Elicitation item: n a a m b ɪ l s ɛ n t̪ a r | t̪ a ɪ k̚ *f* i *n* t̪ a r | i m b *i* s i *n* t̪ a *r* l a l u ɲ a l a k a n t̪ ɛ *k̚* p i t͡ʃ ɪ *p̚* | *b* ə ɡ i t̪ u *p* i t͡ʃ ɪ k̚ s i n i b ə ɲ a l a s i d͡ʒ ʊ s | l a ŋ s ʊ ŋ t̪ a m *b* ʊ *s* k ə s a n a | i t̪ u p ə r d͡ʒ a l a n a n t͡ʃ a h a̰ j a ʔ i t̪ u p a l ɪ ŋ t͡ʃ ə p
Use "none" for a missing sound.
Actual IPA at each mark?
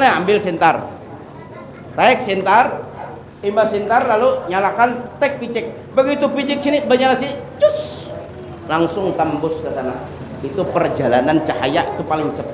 s, n, a, n, r, k̚, k̚, b, p, b, s

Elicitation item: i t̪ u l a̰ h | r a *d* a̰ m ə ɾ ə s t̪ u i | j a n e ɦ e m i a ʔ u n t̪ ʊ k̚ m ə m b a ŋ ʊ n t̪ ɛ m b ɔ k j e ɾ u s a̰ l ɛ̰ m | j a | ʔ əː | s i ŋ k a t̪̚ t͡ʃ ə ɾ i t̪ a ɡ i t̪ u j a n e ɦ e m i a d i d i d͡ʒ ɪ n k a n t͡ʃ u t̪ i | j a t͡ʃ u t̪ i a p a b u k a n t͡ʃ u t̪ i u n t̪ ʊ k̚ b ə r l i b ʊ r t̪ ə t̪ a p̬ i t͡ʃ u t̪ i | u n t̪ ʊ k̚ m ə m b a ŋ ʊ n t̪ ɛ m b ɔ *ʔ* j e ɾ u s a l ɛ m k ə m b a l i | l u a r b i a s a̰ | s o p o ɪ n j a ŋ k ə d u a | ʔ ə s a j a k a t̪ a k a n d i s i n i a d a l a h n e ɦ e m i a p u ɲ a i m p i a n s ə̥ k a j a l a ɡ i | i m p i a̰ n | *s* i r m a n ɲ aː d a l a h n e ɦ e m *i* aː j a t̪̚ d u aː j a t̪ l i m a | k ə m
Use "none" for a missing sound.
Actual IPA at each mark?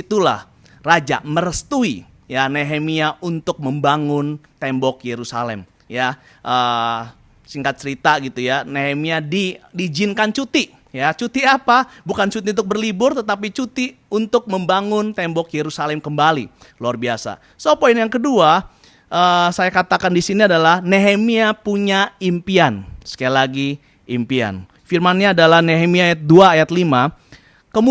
d͡ʒ, k, f, i

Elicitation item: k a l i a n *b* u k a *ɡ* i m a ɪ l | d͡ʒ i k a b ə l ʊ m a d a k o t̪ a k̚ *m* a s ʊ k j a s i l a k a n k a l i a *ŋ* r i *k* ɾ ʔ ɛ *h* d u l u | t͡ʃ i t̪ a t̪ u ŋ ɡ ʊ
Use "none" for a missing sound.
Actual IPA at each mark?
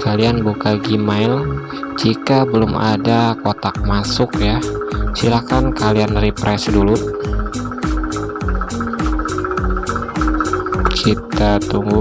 b, ɡ, m, n, p, s

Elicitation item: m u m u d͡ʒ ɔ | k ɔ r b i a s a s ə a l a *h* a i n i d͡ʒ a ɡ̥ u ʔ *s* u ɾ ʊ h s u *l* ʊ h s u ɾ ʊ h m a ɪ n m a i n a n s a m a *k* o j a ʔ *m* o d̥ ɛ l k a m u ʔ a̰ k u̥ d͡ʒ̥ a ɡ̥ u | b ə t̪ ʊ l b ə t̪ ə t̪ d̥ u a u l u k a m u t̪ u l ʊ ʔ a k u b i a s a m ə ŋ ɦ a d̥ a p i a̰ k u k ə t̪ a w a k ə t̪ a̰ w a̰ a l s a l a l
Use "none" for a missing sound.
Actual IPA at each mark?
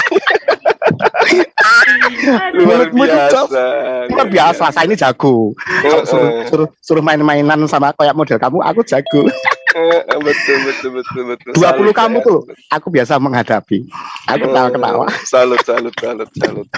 s, s, ɾ, k, m

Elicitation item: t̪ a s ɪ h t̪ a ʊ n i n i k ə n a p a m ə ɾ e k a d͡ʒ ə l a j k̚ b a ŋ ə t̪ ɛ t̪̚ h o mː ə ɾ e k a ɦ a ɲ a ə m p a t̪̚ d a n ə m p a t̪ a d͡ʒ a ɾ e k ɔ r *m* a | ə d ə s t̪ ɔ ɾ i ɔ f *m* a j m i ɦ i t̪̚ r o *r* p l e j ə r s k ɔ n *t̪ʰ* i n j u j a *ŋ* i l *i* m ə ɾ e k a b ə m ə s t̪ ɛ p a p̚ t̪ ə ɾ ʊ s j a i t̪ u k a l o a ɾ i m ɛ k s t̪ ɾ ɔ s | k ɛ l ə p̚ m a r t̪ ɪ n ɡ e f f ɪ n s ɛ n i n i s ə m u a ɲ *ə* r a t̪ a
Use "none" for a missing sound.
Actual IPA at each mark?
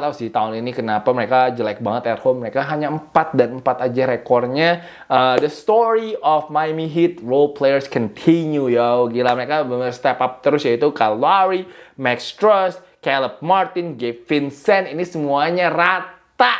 ɲ, m, l, t̪ʰ, ɡ, a, a

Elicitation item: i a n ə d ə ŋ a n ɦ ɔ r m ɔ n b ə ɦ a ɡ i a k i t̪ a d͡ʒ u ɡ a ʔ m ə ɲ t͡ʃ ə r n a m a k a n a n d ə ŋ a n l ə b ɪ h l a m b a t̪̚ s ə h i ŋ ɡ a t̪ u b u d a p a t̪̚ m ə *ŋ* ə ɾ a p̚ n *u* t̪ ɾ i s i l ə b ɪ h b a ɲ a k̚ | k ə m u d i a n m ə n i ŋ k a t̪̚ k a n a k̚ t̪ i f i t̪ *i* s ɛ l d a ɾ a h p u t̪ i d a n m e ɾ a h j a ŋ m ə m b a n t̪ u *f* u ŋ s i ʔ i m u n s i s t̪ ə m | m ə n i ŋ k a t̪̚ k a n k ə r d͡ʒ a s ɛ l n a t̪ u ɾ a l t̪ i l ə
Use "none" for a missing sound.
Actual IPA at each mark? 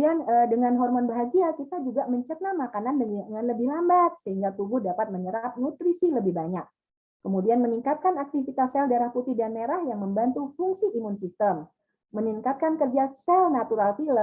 ɲ, u, a, f

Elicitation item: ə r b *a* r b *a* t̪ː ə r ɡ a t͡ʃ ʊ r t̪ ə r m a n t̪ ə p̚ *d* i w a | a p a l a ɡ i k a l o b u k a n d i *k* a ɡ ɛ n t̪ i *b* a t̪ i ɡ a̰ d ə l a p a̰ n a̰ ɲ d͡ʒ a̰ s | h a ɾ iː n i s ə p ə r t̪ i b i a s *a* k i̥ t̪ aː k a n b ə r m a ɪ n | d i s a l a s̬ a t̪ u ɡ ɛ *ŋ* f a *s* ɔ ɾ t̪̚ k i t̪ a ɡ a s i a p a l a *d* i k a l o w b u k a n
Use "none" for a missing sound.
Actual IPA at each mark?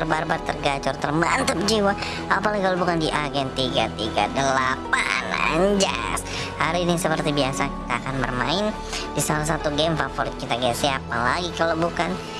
a, a, d͡ʒ, ʔ, ɡ, a, m, f, ɡ

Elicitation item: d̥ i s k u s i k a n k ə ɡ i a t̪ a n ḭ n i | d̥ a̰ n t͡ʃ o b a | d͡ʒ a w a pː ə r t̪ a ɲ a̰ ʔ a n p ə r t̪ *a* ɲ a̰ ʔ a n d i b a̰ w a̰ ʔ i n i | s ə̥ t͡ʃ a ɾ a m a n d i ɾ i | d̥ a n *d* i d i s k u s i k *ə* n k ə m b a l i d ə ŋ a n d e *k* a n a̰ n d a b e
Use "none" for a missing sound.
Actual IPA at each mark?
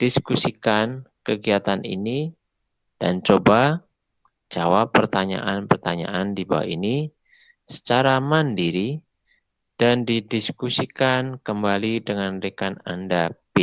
a, d, a, k

